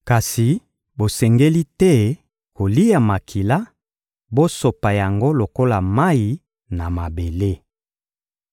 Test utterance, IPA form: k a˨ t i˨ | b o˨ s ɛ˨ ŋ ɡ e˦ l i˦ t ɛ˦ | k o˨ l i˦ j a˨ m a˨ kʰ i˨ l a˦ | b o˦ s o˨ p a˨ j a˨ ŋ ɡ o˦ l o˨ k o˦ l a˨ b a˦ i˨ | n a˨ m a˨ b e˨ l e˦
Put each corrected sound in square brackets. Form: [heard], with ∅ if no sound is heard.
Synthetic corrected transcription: k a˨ [s] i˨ | b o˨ s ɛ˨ ŋ ɡ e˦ l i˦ t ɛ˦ | k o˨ l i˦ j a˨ m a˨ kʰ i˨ l a˦ | b o˦ s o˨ p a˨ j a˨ ŋ ɡ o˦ l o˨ k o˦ l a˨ [m] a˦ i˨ | n a˨ m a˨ b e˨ l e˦